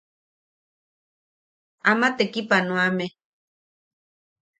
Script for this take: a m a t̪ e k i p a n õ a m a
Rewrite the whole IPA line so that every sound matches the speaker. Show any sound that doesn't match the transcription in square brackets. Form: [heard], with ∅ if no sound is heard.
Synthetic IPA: a m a t̪ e k i p a n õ a m [e]